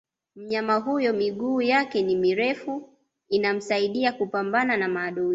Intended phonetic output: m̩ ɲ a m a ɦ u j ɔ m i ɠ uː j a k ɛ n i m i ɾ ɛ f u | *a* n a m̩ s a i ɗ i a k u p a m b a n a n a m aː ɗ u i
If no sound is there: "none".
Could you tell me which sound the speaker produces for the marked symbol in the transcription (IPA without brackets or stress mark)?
i